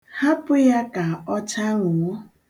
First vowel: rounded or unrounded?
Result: unrounded